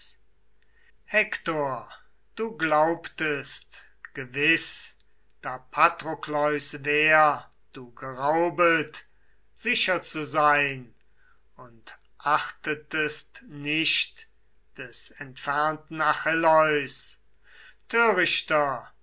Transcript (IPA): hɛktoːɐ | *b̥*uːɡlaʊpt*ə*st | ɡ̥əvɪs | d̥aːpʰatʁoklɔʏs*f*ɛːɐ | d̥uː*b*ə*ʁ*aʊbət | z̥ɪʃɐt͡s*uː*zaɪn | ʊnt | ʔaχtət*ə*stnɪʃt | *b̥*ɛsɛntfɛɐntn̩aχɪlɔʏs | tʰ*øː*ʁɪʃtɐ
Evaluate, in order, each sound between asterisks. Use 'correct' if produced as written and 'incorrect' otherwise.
incorrect: d̥, correct, incorrect: v, incorrect: ɡ, correct, incorrect: u, correct, incorrect: d̥, correct

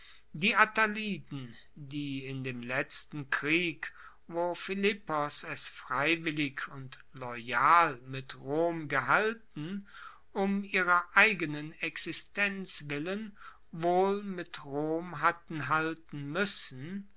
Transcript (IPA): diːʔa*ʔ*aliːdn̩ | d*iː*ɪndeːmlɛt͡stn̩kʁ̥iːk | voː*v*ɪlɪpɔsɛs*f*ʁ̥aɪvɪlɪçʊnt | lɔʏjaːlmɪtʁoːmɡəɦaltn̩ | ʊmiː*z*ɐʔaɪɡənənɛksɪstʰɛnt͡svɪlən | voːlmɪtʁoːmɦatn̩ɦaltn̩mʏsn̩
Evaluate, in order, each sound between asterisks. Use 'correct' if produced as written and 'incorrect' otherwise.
incorrect: t, correct, incorrect: f, correct, incorrect: ʁ

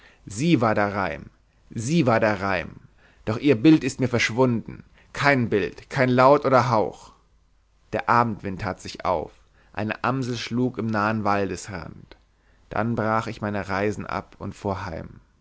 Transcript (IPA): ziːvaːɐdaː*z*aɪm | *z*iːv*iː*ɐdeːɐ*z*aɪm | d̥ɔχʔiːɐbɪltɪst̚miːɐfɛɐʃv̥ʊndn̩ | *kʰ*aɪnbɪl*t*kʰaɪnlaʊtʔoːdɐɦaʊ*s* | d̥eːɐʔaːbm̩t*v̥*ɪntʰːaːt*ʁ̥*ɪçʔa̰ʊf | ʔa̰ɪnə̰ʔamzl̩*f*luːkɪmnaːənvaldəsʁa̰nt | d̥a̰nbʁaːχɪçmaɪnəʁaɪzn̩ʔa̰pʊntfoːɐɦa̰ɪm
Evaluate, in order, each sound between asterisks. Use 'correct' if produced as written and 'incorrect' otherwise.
incorrect: ʁ, correct, incorrect: aː, incorrect: ʁ, correct, correct, incorrect: x, correct, incorrect: z̥, incorrect: ʃ

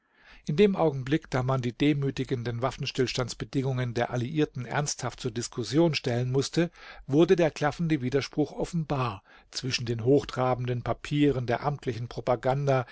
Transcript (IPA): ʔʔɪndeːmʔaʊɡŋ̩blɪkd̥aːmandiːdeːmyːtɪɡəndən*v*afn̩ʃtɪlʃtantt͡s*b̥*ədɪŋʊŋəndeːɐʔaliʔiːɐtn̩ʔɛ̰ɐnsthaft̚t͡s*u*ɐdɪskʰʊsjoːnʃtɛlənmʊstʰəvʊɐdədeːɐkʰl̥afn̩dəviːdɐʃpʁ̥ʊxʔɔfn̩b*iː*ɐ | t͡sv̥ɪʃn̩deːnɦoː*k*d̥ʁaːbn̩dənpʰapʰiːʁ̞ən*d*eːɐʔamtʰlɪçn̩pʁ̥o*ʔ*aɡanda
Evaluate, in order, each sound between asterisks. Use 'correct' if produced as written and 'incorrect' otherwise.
correct, correct, incorrect: uː, incorrect: aː, incorrect: x, correct, incorrect: p

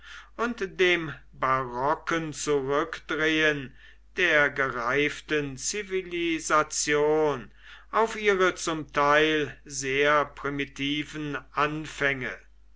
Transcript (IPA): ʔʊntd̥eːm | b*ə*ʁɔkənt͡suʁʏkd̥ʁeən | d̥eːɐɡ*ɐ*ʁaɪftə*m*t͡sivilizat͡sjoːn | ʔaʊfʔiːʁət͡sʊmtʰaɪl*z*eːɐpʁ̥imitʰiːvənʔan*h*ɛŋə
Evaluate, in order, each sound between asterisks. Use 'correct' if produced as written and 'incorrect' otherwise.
incorrect: a, incorrect: ə, incorrect: n, correct, incorrect: f

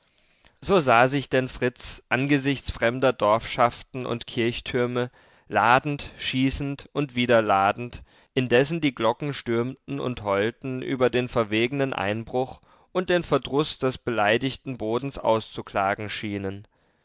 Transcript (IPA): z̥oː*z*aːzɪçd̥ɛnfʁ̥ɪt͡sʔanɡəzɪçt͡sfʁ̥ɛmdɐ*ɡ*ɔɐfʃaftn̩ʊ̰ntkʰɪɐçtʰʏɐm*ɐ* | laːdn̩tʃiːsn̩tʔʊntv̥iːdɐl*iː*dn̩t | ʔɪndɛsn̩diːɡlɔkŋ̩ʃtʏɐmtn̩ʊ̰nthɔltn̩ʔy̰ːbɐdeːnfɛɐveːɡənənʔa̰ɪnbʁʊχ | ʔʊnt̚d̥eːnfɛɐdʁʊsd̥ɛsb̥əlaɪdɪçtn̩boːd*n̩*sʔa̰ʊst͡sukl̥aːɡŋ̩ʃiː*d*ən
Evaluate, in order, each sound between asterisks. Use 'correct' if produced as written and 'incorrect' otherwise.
correct, incorrect: d, incorrect: ə, incorrect: aː, correct, incorrect: n

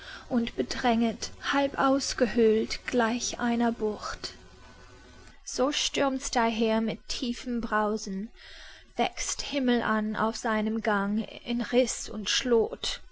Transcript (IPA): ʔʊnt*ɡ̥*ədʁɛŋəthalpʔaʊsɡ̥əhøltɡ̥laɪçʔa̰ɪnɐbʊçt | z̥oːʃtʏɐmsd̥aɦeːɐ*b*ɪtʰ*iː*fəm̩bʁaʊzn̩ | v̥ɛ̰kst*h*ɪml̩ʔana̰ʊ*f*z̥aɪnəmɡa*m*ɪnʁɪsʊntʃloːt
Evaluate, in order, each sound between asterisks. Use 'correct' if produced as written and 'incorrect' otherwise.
incorrect: b̥, incorrect: m, correct, correct, correct, incorrect: ŋ

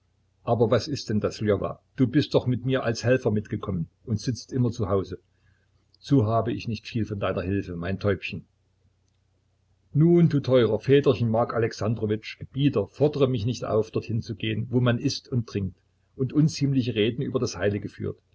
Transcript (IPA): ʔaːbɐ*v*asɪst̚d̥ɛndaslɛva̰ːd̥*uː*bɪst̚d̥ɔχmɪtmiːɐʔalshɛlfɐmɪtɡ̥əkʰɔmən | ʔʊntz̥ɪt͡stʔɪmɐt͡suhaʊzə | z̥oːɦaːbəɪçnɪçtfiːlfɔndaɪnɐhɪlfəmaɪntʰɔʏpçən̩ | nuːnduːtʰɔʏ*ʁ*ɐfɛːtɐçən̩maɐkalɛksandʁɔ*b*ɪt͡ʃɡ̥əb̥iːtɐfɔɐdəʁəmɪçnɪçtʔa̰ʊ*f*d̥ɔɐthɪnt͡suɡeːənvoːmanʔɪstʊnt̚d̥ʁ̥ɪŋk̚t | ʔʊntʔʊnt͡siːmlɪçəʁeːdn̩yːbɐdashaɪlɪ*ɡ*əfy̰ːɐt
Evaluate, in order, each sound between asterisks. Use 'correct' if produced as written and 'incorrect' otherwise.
correct, correct, correct, incorrect: v, correct, correct

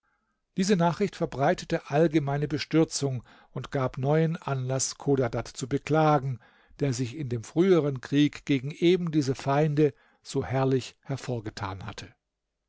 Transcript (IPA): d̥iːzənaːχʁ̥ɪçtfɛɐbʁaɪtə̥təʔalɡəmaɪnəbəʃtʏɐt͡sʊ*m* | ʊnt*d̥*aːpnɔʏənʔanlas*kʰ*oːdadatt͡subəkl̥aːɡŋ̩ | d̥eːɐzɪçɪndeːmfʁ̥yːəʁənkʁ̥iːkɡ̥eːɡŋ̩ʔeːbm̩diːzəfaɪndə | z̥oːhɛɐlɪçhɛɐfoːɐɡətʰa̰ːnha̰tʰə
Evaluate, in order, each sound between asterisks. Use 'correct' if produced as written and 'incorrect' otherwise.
incorrect: ŋ, incorrect: ɡ̥, correct

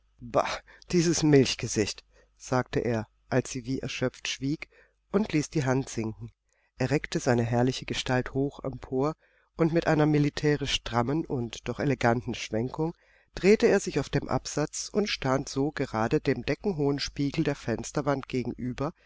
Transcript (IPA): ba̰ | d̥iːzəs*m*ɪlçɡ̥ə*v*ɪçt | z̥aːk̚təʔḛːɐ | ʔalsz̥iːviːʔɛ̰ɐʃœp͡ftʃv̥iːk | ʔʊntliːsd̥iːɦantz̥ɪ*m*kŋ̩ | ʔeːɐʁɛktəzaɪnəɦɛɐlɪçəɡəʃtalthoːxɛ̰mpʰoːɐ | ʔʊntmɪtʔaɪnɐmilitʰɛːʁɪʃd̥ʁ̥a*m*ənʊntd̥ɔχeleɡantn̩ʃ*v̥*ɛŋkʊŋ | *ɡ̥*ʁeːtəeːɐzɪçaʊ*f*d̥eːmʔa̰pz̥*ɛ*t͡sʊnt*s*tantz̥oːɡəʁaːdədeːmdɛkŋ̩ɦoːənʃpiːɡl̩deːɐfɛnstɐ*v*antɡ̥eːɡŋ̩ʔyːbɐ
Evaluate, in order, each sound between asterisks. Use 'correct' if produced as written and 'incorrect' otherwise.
correct, incorrect: z, incorrect: ŋ, correct, correct, incorrect: d̥, correct, incorrect: a, incorrect: ʃ, correct

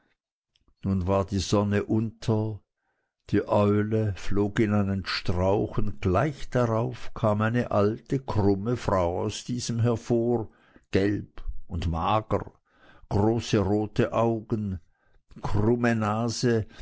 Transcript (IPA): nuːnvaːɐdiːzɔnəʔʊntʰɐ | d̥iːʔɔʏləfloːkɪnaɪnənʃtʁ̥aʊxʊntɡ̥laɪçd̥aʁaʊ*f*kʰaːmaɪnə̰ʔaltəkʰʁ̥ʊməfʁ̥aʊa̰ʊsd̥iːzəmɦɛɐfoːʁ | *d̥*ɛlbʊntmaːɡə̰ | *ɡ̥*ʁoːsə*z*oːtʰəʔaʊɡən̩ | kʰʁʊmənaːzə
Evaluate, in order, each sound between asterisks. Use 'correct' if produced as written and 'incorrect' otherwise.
correct, incorrect: ɡ̥, correct, incorrect: ʁ

